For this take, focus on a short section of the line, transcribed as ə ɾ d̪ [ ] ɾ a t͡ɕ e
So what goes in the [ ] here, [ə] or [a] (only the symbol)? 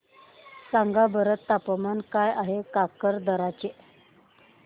ə